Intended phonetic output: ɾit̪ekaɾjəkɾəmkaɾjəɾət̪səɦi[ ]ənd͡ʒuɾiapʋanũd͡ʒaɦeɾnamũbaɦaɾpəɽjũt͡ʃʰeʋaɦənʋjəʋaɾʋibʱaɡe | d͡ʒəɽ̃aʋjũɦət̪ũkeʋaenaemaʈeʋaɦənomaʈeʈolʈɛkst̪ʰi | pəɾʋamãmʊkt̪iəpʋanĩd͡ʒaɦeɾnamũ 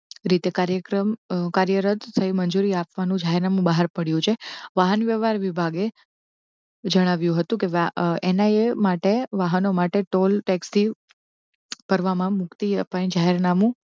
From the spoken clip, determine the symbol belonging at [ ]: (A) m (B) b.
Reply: A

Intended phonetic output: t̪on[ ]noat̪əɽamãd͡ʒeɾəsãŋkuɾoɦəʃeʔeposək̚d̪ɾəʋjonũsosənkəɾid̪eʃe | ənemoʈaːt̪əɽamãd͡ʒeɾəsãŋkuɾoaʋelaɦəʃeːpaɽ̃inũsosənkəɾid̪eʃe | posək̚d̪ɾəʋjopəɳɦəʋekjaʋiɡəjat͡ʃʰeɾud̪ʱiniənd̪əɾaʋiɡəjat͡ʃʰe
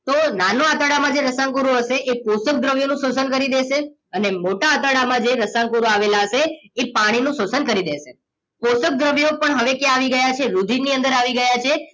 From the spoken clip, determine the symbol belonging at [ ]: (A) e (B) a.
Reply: B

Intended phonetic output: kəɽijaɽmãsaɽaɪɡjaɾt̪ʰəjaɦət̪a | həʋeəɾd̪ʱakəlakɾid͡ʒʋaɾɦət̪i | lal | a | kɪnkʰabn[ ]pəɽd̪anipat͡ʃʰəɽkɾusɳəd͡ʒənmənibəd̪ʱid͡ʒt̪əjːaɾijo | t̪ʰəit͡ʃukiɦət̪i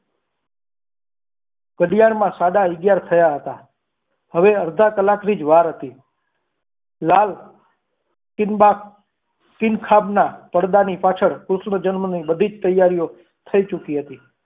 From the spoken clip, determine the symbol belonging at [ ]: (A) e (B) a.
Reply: B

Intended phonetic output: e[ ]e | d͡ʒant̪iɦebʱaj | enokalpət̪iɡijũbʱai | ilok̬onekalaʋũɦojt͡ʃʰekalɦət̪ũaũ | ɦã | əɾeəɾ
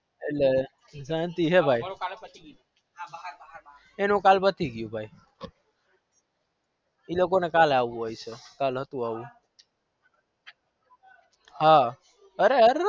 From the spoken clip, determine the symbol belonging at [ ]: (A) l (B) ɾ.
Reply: A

